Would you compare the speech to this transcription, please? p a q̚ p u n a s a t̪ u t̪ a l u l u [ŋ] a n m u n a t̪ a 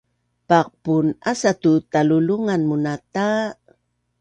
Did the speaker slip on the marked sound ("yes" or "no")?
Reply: no